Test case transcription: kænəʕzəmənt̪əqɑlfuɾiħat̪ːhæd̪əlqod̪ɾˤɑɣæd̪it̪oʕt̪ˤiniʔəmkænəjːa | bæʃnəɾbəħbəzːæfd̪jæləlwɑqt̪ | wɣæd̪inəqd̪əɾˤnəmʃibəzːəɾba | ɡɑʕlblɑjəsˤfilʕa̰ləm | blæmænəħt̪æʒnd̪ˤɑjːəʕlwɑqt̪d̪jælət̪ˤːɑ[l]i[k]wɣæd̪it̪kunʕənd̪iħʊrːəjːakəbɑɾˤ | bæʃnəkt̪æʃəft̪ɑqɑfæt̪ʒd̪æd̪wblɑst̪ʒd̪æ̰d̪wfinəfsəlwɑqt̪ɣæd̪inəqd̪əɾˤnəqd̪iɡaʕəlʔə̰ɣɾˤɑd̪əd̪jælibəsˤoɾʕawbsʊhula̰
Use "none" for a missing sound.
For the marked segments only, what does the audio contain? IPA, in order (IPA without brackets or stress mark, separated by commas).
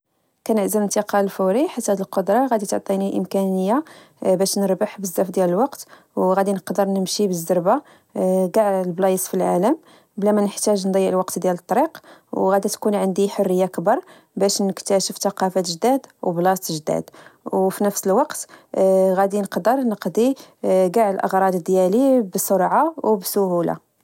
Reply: ɾ, q